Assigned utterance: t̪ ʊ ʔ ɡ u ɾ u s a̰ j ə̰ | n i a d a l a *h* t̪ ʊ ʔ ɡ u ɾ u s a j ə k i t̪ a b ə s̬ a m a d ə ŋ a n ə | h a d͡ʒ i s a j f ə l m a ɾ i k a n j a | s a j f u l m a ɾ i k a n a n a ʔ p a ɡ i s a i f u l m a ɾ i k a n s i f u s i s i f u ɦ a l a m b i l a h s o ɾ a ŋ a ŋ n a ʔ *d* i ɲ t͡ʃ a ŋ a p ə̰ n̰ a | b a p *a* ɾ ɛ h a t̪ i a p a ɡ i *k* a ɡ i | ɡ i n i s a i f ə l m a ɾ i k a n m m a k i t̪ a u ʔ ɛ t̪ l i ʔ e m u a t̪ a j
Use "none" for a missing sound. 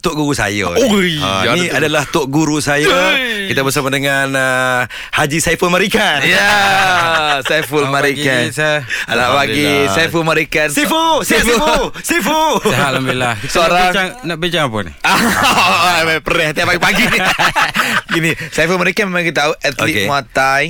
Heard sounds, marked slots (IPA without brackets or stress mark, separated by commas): h, b, ə, p